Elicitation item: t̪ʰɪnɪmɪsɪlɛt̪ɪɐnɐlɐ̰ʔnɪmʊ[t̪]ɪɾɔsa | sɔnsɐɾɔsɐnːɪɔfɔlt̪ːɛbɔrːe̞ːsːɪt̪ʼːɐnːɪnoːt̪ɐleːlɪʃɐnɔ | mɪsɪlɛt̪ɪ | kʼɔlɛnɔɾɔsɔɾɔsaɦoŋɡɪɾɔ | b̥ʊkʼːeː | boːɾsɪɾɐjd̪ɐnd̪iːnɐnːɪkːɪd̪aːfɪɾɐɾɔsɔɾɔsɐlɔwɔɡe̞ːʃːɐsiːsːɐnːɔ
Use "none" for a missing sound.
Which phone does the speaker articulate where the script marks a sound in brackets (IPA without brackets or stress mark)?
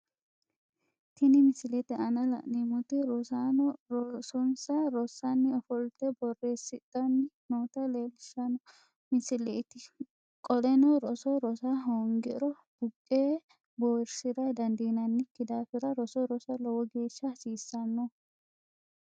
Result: t̪